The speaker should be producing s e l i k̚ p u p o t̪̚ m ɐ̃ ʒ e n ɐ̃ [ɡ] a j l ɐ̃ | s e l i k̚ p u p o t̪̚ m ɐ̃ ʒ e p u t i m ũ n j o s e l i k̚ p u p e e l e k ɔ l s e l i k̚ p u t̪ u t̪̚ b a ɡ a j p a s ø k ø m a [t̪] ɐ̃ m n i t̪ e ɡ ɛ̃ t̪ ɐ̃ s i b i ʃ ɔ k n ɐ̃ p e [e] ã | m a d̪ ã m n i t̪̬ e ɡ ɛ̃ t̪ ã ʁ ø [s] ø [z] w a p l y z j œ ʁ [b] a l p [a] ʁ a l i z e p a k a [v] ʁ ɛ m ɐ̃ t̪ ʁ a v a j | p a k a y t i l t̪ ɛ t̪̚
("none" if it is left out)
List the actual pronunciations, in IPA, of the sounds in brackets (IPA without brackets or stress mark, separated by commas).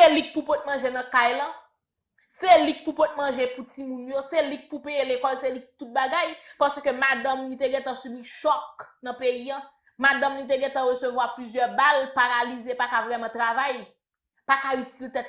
k, d̪, i, s, v, b, a, v